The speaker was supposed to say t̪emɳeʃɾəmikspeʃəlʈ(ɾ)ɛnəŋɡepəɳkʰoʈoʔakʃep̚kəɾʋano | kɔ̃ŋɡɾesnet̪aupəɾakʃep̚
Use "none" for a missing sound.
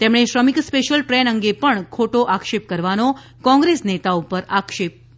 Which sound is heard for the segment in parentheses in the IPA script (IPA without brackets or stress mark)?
ɾ